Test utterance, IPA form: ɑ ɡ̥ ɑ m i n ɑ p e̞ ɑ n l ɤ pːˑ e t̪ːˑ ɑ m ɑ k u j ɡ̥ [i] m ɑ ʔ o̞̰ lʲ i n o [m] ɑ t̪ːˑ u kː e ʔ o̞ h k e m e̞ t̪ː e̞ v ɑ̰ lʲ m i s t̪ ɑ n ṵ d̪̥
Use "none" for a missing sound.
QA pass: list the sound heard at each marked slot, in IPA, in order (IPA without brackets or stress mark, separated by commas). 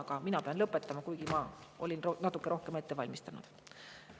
i, n